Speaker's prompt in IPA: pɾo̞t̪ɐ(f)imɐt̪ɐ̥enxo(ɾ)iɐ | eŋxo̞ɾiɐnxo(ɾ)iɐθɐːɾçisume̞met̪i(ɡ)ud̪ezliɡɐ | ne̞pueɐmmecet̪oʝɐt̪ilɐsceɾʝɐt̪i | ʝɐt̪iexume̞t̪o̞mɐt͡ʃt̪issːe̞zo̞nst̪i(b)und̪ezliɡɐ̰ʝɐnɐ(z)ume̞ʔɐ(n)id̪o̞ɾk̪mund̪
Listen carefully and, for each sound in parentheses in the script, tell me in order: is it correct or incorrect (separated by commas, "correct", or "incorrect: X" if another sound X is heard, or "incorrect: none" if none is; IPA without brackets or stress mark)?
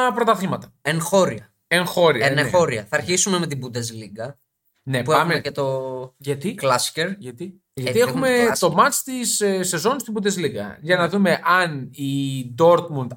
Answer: incorrect: θ, correct, correct, incorrect: b, correct, incorrect: ð, correct